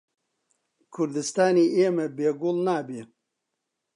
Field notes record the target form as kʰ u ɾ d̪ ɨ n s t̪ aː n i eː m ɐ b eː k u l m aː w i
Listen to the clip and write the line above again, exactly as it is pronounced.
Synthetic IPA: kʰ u ɾ d̪ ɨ s t̪ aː n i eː m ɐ b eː ɡ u l n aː b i